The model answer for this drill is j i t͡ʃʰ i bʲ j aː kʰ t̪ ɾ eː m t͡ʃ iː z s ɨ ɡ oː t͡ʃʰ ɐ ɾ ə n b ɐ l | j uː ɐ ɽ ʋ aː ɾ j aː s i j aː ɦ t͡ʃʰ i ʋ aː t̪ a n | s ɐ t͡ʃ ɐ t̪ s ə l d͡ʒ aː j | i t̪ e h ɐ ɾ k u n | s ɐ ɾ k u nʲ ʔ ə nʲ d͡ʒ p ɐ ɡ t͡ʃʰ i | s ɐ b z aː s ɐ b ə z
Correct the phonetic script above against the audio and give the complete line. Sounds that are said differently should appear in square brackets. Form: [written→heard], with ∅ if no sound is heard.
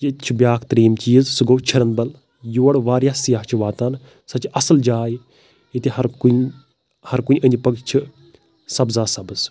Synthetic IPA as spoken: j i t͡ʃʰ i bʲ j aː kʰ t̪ ɾ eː m t͡ʃ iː z s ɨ ɡ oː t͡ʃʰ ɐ ɾ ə n b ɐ l | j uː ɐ ɽ ʋ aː ɾ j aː s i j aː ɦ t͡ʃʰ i ʋ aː t̪ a n | s ɐ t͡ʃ ɐ [t̪→∅] s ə l d͡ʒ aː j | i t̪ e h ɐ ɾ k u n | [s→h] ɐ ɾ k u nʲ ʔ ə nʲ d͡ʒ p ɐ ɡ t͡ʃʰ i | s ɐ b z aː s ɐ b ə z